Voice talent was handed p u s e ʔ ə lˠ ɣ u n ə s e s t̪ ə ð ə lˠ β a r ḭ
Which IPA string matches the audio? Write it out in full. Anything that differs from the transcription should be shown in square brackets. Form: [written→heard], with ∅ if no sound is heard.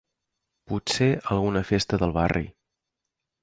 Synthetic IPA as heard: p u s e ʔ ə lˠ ɣ u n ə [s→f] e s t̪ ə ð ə lˠ β a r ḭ